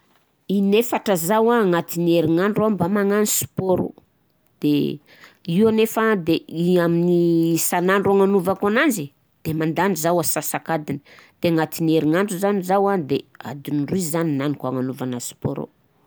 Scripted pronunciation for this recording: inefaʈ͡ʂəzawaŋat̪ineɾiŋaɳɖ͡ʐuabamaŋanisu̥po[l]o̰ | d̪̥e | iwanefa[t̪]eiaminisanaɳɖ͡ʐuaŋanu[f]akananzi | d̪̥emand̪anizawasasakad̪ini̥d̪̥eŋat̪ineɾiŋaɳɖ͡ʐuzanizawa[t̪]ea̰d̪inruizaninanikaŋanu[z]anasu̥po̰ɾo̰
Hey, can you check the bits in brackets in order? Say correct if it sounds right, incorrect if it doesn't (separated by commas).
incorrect, incorrect, incorrect, incorrect, incorrect